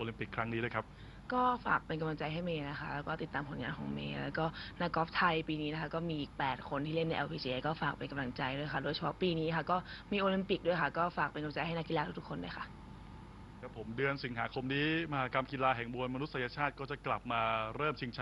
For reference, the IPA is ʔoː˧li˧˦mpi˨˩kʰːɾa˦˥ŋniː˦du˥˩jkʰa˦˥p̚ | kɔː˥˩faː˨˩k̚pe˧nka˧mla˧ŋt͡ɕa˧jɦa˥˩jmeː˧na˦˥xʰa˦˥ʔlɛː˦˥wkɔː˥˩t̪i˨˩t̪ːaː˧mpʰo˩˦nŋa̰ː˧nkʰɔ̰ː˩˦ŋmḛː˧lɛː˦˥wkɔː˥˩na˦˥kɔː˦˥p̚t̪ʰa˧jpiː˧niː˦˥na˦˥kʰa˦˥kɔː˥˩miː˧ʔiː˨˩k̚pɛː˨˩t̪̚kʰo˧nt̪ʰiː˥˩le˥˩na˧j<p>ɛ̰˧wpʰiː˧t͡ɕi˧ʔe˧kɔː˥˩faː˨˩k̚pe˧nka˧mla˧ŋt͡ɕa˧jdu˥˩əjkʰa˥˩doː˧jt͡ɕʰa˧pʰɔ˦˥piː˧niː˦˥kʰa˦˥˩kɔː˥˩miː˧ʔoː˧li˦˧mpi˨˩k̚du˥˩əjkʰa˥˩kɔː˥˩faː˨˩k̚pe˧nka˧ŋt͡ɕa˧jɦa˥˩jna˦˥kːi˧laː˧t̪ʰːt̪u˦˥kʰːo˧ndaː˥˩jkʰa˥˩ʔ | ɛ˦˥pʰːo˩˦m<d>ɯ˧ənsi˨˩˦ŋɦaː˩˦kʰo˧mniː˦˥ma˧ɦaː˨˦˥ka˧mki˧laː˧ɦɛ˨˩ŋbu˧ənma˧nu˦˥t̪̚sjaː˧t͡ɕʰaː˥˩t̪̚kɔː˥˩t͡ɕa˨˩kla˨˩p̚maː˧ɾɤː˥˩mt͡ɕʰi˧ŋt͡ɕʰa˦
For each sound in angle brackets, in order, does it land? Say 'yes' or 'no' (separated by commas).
no, yes